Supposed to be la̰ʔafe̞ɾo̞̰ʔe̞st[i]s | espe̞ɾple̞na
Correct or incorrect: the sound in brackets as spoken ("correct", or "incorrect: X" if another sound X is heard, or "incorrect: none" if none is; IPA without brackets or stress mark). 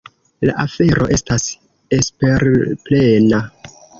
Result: incorrect: a